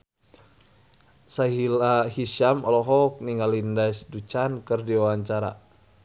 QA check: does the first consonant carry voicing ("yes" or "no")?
no